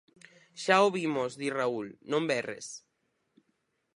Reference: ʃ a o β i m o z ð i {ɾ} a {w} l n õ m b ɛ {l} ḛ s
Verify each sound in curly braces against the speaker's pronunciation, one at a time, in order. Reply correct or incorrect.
incorrect: r, incorrect: u, incorrect: r

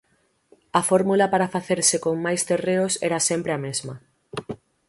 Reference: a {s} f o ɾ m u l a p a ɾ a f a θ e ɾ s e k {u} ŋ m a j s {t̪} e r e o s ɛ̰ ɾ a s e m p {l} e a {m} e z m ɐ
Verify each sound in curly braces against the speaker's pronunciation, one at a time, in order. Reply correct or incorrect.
incorrect: none, incorrect: o, correct, incorrect: ɾ, correct

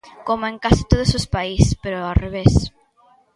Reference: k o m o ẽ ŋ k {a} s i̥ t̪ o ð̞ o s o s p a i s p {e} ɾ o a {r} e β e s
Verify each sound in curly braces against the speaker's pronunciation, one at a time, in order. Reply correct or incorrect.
correct, correct, correct

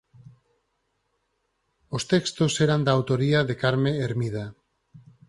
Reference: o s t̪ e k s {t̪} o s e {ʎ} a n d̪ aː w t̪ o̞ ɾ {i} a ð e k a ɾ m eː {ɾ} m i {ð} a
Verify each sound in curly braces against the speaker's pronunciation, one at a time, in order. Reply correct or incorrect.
correct, incorrect: ɾ, correct, correct, correct

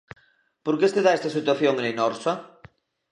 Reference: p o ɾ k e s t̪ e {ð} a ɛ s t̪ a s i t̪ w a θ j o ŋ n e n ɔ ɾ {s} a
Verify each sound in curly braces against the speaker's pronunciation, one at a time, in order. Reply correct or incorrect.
correct, correct

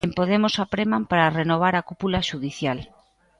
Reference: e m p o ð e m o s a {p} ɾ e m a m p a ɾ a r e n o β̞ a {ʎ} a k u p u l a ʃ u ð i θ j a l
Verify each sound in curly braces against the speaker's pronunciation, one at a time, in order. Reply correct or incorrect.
correct, incorrect: ɾ

